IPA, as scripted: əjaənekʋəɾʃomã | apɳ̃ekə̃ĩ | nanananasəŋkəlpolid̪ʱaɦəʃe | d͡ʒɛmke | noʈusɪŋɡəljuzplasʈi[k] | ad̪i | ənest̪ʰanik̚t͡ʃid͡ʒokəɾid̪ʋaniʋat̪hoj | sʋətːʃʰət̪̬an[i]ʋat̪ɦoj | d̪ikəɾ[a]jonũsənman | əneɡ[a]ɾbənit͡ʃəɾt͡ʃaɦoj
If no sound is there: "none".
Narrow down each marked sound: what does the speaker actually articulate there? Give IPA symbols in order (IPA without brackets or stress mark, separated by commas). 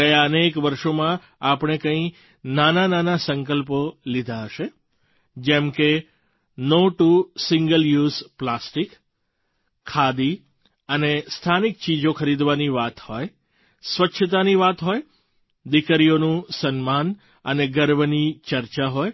kʰ, i, i, ə